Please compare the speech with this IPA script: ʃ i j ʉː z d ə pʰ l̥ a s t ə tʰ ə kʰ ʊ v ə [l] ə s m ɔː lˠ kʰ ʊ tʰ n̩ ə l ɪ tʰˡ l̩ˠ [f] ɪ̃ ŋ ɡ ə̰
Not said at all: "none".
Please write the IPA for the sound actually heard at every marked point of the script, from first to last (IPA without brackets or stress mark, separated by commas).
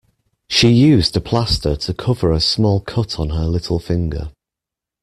ɹ, f